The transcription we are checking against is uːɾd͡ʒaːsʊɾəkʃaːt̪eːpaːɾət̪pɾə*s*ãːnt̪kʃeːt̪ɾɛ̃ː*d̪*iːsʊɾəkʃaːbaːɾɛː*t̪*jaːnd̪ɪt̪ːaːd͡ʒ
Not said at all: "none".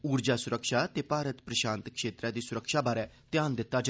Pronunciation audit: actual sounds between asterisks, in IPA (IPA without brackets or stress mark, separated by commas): ʃ, d̪, t̪